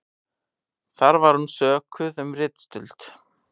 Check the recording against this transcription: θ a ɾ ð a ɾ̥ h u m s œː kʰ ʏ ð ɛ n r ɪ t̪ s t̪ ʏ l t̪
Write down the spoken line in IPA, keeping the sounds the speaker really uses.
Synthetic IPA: θ a ɾ v a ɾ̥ h u n s œː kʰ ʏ ð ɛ m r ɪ t̪ s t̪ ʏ l t̪